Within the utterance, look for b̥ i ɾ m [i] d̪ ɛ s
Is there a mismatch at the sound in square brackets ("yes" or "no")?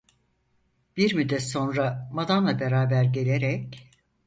yes